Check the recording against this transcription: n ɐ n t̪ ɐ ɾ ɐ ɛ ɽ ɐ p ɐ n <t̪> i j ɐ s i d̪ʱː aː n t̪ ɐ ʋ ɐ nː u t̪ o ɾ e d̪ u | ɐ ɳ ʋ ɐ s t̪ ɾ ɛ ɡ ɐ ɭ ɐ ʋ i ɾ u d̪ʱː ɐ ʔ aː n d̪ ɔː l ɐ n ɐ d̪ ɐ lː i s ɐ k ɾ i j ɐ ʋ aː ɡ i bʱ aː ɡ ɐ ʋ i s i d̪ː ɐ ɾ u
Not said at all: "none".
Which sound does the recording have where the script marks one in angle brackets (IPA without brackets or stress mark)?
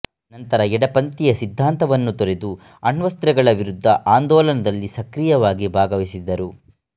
t̪